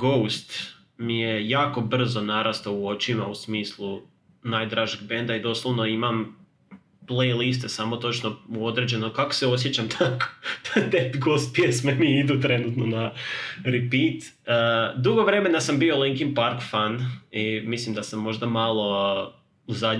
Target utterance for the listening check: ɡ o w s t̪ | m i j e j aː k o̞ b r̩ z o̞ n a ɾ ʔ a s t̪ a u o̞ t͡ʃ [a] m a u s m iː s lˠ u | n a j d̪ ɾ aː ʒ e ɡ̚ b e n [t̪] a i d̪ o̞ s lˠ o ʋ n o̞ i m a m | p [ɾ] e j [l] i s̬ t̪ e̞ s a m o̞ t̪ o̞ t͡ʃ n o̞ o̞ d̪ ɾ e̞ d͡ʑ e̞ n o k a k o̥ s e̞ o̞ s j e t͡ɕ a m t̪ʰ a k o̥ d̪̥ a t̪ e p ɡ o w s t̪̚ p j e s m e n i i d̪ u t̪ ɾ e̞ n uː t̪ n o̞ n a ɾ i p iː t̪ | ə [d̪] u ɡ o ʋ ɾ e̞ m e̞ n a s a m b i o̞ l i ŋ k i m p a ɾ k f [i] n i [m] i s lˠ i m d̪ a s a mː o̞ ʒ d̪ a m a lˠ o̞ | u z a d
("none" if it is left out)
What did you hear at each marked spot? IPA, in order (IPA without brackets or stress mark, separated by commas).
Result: i, d̪, l, l, d̪, a, m